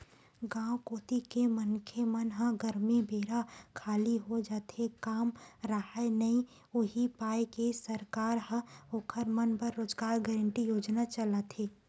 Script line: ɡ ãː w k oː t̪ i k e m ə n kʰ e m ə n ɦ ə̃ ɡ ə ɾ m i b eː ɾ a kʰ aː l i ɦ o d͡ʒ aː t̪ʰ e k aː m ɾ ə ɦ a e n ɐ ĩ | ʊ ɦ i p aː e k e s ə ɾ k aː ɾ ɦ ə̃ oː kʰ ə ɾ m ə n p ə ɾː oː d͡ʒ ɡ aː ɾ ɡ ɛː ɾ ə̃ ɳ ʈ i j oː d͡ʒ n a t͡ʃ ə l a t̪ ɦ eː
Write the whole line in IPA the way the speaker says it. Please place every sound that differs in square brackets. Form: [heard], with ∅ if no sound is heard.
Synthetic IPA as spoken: ɡ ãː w k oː t̪ i k e m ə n kʰ e m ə n ɦ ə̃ ɡ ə ɾ m i b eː ɾ a kʰ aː l i ɦ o d͡ʒ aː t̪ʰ e k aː m ɾ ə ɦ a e n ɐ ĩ | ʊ ɦ i p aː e k e s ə ɾ k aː ɾ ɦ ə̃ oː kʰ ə ɾ m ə n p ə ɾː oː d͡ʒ ɡ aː ɾ ɡ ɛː ɾ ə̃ ɳ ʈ i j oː d͡ʒ n a t͡ʃ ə l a t̪ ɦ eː